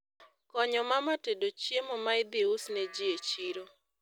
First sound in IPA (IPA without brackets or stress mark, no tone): k